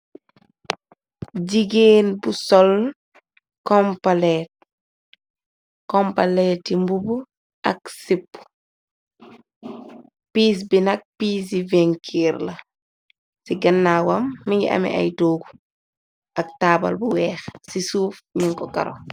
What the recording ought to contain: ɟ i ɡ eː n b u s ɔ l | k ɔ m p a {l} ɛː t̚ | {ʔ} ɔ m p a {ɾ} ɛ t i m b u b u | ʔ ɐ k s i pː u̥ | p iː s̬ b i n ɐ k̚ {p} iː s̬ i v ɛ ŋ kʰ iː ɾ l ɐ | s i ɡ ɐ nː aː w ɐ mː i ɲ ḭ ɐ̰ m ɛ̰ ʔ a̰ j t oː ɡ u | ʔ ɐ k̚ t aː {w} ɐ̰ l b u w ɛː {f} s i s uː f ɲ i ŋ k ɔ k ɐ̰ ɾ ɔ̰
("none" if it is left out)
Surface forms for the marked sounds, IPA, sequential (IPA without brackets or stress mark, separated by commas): l, k, l, p, b, x